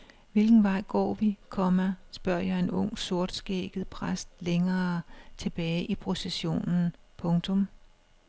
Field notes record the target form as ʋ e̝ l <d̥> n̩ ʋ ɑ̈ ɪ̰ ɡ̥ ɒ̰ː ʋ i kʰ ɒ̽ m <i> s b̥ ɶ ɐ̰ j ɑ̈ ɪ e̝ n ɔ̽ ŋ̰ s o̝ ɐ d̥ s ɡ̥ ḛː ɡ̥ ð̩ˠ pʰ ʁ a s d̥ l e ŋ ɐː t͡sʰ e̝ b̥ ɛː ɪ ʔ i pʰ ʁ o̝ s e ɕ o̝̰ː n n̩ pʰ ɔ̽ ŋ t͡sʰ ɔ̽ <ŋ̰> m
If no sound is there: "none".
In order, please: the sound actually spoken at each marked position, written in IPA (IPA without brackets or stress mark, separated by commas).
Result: ɡ̥, æ, none